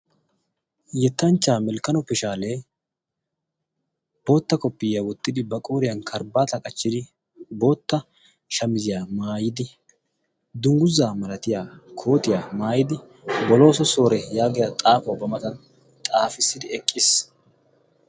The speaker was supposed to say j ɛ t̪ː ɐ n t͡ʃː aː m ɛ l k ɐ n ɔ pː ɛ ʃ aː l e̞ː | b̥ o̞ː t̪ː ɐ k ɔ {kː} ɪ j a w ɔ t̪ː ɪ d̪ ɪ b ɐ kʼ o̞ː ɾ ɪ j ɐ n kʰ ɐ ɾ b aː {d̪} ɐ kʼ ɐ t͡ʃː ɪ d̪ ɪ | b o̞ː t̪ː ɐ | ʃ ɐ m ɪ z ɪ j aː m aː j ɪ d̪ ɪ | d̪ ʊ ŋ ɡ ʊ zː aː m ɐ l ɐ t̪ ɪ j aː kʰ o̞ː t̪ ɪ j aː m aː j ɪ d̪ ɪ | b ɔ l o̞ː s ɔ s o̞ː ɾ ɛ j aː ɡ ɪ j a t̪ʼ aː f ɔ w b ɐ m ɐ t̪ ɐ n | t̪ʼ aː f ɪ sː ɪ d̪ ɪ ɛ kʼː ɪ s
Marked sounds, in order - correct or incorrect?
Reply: incorrect: pː, incorrect: t̪

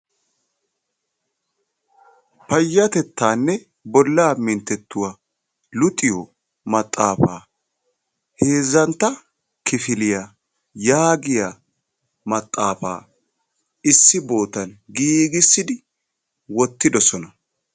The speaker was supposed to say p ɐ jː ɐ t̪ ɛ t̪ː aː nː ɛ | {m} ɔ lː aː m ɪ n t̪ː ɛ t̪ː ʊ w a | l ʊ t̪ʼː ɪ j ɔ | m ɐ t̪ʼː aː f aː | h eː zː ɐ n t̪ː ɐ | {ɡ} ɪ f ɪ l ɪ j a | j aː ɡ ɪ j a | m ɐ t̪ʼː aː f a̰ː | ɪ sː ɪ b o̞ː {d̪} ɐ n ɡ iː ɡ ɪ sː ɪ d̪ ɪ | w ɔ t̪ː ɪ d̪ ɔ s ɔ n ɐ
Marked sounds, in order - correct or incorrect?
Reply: incorrect: b, incorrect: k, incorrect: t̪

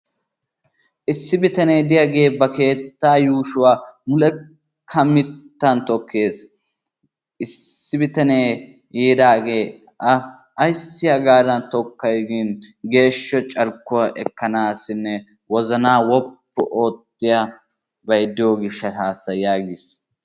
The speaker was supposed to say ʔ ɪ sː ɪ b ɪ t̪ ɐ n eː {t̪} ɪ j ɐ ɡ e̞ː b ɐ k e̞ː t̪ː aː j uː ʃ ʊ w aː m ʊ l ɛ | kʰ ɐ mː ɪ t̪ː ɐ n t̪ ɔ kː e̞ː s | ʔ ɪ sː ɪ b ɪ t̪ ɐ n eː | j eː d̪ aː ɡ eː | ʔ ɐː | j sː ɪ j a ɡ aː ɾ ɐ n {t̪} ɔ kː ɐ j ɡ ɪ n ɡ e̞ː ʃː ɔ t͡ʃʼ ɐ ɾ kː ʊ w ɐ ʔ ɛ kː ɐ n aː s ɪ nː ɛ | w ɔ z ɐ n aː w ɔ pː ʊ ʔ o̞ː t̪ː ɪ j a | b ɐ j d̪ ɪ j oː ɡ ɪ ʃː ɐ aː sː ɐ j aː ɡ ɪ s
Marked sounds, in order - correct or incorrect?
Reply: incorrect: d̪, correct

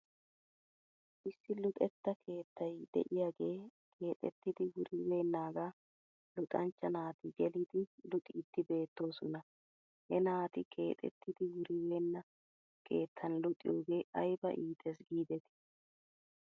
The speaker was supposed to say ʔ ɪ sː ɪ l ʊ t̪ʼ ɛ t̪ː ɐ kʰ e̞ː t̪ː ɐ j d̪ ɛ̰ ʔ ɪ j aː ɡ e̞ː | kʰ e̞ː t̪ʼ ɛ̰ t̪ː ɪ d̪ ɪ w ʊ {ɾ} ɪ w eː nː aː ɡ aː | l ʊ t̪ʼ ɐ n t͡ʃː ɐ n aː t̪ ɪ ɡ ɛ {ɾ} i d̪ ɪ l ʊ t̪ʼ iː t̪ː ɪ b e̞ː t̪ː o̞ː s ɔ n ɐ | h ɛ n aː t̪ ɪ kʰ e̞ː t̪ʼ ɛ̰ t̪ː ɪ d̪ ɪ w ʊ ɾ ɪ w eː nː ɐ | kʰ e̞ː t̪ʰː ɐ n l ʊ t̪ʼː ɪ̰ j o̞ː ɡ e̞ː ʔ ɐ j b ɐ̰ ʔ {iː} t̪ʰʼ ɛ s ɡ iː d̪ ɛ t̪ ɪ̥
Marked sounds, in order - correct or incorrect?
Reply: correct, incorrect: l, correct

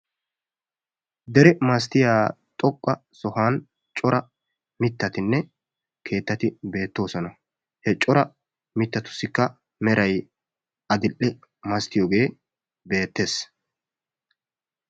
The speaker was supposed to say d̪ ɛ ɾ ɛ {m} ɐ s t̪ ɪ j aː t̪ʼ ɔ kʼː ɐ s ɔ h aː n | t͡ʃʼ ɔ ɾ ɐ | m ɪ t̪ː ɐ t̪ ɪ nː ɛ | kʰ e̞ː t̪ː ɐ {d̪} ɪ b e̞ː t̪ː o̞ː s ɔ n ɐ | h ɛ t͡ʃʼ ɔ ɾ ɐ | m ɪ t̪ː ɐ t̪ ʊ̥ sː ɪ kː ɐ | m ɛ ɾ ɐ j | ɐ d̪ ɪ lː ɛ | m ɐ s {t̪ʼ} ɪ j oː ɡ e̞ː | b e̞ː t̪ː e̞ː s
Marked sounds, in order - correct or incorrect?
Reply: correct, incorrect: t̪, incorrect: t̪

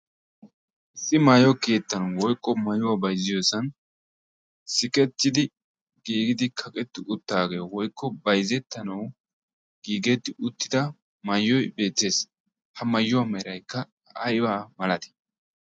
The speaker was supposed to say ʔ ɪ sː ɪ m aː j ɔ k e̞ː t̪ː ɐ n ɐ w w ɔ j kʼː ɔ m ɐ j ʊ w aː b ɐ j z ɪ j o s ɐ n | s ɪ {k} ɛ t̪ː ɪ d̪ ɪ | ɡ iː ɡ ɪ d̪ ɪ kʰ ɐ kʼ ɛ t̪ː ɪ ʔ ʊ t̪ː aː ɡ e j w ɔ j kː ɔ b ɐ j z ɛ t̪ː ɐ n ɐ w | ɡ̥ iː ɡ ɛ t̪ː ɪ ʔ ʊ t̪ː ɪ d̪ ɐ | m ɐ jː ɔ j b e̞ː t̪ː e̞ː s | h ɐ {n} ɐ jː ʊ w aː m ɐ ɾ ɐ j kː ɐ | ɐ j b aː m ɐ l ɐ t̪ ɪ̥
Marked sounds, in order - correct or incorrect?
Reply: incorrect: kʼ, incorrect: m

